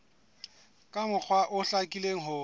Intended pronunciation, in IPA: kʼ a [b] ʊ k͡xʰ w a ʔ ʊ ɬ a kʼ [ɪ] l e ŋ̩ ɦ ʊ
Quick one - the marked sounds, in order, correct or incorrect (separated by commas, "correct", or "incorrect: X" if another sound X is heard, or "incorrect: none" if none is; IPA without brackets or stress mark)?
incorrect: m, incorrect: i